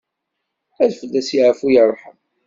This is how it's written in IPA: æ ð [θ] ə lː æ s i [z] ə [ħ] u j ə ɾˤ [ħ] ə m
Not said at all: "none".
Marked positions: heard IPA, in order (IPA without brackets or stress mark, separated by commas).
f, ʕ, f, ħ